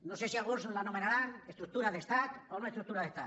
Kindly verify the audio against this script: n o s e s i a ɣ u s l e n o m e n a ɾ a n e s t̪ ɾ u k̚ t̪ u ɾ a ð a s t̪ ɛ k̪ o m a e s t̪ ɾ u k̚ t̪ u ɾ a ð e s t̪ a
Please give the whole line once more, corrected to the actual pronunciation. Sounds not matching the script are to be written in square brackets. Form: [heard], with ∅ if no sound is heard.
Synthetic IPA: n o s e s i a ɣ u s l [a] n o m e n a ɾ a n e s t̪ ɾ u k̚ t̪ u ɾ a ð [e] s t̪ [a] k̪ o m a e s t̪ ɾ u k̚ t̪ u ɾ a ð e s t̪ a